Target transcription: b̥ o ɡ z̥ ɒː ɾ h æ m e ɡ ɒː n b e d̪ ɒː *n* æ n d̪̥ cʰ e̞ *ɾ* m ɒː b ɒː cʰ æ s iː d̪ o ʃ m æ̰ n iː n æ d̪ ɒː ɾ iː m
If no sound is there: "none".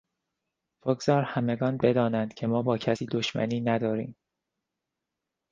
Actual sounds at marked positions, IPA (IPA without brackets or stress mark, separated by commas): n, none